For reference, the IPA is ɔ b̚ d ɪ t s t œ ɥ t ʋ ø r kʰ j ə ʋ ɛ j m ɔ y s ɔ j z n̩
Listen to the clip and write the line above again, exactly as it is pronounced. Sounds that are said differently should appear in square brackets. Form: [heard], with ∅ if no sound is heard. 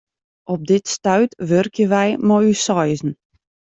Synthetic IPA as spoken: ɔ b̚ d ɪ t s t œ ɥ t ʋ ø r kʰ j ə ʋ ɛ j m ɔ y s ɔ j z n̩

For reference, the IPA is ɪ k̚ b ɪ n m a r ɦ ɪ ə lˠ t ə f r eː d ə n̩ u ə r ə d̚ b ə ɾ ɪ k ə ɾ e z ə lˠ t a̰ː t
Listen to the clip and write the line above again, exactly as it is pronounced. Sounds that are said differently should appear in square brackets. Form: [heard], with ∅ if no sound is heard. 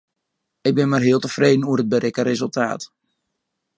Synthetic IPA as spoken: ɪ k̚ b ɪ n m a r ɦ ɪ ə lˠ t ə f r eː d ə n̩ u ə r ə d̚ b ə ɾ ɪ k ə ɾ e z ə lˠ t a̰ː t

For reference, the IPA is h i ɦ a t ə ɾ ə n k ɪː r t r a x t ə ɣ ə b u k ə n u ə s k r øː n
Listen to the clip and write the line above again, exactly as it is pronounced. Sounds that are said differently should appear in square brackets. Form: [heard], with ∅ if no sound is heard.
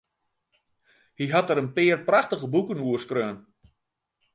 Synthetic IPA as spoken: h i ɦ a t ə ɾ ə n [p] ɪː r [p] r a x t ə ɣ ə b u k ə n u ə s k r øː n

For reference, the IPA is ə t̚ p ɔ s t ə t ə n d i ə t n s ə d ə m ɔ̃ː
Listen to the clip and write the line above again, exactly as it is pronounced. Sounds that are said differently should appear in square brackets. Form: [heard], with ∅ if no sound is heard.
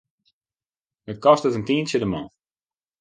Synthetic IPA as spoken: ə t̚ [k] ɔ s t ə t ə n [t] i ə [∅] n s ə d ə m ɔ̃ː

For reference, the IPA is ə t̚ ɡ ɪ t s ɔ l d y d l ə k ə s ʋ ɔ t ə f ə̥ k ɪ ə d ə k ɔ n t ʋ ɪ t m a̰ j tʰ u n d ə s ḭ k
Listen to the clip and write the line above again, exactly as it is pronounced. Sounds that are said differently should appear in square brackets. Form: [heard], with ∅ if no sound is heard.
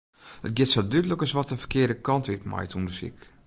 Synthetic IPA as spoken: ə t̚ ɡ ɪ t s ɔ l d y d l ə k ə s ʋ ɔ t ə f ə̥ k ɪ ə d ə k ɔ n t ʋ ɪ t m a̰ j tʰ u n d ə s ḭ k

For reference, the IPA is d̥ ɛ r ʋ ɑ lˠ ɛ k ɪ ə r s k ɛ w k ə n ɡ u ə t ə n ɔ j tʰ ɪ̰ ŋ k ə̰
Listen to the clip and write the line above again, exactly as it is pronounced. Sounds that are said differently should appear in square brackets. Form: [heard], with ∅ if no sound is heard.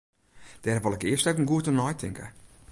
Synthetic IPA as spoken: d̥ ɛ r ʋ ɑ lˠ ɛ k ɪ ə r s [t] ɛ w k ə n ɡ u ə t ə n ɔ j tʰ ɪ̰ ŋ k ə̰

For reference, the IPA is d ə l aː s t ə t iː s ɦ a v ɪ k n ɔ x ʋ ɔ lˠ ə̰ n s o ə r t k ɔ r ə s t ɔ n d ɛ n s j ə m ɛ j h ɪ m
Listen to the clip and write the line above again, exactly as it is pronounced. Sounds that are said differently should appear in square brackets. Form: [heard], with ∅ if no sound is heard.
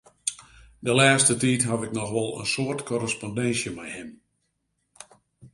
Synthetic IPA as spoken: d ə l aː s t ə t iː [t] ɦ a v ɪ k n ɔ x ʋ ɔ lˠ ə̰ n s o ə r t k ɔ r ə s [p] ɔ n d ɛ n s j ə m ɛ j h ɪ m

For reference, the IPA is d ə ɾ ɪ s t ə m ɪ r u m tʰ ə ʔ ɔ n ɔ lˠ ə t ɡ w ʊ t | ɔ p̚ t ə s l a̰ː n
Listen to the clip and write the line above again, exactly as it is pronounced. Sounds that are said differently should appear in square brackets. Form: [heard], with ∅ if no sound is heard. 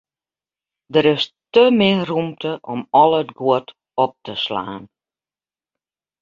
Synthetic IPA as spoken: d ə ɾ ɪ s t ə m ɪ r u m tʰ ə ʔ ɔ [m] ɔ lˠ ə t ɡ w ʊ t | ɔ p̚ t ə s l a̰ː n

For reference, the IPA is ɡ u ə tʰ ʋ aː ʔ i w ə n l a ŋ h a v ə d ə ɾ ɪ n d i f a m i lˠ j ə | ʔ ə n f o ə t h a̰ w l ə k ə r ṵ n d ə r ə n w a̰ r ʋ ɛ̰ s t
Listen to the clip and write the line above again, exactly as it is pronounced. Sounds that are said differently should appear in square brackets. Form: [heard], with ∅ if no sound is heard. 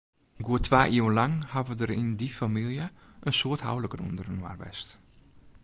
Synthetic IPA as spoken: ɡ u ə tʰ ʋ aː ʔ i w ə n l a ŋ h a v ə d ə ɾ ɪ n d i f a m i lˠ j ə | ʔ ə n [s] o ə t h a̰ w l ə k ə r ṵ n d ə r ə n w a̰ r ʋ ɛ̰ s t

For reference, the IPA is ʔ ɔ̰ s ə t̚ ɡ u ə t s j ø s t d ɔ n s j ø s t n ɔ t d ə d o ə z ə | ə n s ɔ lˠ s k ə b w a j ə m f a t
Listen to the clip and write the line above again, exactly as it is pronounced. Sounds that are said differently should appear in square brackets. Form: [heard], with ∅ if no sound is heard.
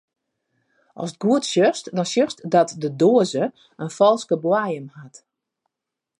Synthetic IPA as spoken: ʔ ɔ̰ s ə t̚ ɡ u ə t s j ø s t d ɔ n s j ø s t [d] ɔ t d ə d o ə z ə | ə n [f] ɔ lˠ s k ə b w a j ə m [h] a t

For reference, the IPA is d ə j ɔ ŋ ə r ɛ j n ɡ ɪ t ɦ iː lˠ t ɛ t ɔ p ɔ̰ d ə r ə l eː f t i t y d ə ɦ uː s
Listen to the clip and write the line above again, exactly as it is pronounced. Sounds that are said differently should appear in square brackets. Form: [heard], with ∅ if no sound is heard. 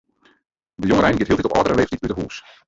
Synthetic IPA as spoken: d ə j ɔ ŋ ə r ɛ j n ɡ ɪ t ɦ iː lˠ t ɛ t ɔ p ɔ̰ d ə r ə l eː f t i t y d ə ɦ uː s

